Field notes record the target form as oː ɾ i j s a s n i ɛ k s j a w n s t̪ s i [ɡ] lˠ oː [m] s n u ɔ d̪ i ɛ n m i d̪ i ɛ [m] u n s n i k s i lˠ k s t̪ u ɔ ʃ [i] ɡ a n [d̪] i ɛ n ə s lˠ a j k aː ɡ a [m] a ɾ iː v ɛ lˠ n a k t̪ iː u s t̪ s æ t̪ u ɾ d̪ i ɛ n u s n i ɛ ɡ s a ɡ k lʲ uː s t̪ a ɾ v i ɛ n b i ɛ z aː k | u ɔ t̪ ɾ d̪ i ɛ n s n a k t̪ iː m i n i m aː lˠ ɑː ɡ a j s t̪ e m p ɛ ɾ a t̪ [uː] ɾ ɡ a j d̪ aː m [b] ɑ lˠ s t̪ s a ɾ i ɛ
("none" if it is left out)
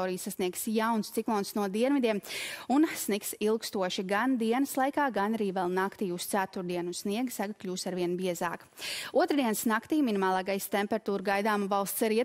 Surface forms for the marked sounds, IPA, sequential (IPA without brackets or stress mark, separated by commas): k, n, m, i, d̪, n, uː, v